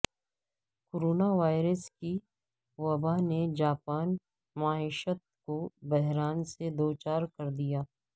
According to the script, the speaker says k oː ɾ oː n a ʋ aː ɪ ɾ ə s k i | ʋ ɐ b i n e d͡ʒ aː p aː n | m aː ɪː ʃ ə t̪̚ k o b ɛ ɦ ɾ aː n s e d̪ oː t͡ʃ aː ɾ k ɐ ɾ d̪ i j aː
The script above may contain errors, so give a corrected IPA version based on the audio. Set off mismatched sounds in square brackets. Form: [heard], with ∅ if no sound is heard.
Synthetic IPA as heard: k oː ɾ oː n a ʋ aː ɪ ɾ ə s k i | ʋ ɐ b [a] n e d͡ʒ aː p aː n | m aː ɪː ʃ ə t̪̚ k o b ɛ ɦ ɾ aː n s e d̪ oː t͡ʃ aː ɾ k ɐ ɾ d̪ i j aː